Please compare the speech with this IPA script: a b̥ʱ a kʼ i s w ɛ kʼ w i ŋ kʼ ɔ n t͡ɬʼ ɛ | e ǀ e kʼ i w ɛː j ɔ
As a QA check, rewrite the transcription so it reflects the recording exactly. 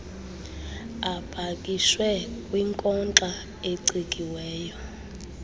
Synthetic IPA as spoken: a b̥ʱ a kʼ i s w ɛ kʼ w i ŋ kʼ ɔ n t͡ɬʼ a | e ǀ i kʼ i w ɛː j ɔ